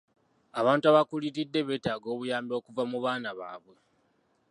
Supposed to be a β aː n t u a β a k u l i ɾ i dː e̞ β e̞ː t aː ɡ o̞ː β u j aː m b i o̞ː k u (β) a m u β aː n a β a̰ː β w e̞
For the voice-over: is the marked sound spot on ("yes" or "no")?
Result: no